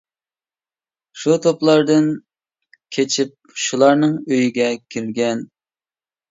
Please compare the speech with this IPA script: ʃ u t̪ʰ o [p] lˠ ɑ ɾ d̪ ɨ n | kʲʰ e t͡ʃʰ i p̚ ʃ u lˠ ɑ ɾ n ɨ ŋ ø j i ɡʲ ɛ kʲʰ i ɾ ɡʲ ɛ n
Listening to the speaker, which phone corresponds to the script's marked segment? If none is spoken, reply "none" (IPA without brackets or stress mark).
p